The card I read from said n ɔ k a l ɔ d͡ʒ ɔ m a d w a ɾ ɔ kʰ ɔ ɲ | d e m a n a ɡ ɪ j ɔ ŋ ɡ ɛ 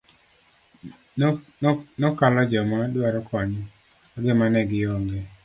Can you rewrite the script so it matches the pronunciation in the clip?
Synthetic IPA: n ɔ k a l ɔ d͡ʒ ɔ m a d w a ɾ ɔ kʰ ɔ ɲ | ɡ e m a n ɛ ɡ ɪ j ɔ ŋ ɡ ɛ

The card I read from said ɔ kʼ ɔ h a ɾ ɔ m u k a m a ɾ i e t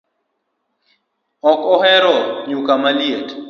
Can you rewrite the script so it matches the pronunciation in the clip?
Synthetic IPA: ɔ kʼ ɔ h ɛ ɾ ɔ ɲ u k a m a l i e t

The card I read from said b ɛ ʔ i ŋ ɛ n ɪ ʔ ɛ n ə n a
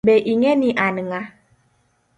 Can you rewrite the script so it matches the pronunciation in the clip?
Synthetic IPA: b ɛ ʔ i ŋ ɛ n i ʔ a n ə ŋ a

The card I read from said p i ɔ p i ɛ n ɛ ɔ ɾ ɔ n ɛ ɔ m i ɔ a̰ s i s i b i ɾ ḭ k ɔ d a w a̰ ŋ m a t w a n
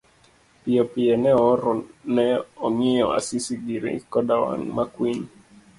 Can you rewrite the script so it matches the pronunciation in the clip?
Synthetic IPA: p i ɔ p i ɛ n ɛ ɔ ɾ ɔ n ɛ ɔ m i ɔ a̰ s i s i ɡ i ɾ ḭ k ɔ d a w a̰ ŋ m a k w i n

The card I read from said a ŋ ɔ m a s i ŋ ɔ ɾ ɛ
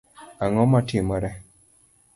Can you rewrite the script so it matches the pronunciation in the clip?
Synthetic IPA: a ŋ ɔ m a t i m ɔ ɾ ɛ

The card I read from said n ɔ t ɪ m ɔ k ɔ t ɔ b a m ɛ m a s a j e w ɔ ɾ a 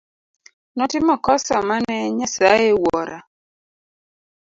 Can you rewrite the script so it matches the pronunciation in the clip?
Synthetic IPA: n ɔ t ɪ m ɔ k ɔ s ɔ m a n ɛ ɲ a s a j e w ɔ ɾ a

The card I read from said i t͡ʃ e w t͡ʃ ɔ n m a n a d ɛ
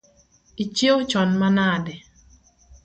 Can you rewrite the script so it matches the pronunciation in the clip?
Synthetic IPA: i t͡ʃ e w t͡ʃ ɔ n m a n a d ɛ

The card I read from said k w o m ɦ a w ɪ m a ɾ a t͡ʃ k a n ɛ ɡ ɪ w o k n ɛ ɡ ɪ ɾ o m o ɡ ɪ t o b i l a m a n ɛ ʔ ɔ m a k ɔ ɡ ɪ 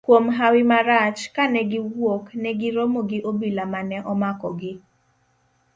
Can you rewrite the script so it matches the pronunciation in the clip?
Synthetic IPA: k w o m ɦ a w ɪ m a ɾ a t͡ʃ k a n ɛ ɡ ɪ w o k n ɛ ɡ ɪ ɾ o m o ɡ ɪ ʔ o b i l a m a n ɛ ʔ ɔ m a k ɔ ɡ ɪ

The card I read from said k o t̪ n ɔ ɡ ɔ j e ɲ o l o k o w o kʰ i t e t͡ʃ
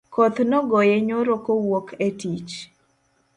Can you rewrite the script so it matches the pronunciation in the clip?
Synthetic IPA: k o t̪ n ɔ ɡ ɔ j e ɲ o ɾ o k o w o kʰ e t i t͡ʃ

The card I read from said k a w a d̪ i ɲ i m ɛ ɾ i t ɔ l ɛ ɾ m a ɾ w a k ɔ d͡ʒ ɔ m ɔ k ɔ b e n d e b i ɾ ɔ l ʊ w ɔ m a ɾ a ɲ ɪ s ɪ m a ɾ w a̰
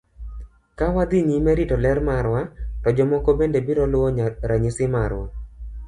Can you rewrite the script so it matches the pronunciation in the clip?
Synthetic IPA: k a w a d̪ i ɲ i m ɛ ɾ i t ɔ l ɛ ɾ m a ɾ w a t ɔ d͡ʒ ɔ m ɔ k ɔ b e n d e b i ɾ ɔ l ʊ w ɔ ɲ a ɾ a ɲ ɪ s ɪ m a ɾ w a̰

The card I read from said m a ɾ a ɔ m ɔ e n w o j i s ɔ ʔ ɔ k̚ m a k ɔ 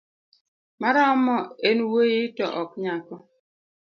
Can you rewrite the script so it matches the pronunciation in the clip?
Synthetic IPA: m a ɾ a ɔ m ɔ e n w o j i t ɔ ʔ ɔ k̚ ɲ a k ɔ

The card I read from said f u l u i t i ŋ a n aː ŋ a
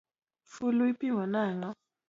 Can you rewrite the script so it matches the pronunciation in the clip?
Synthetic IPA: f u l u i p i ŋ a n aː ŋ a

